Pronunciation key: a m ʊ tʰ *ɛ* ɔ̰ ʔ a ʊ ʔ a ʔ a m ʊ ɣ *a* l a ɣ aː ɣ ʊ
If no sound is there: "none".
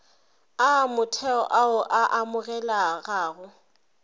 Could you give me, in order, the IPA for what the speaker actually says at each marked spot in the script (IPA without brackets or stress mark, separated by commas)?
ɛ, ɛ